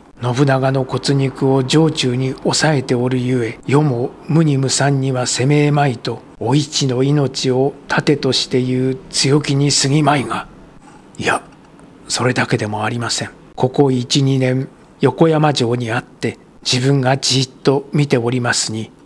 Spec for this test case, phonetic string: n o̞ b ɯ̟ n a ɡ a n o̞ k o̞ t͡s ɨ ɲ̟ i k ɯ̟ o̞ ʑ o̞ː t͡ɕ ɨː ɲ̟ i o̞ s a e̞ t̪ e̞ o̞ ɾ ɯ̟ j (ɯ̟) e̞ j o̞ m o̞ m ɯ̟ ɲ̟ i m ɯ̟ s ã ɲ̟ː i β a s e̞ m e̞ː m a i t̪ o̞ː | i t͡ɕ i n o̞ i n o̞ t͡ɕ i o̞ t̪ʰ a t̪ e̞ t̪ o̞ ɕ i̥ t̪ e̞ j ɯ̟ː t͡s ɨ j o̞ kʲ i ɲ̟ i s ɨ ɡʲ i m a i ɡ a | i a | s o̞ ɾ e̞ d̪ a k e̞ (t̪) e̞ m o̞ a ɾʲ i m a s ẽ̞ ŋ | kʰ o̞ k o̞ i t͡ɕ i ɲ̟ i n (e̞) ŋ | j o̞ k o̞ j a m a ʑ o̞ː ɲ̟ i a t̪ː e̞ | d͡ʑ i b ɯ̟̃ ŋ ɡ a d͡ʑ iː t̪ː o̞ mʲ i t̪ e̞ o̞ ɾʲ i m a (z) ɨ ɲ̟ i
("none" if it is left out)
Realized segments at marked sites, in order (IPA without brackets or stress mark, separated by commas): ɯ̟, d̪, ẽ̞, s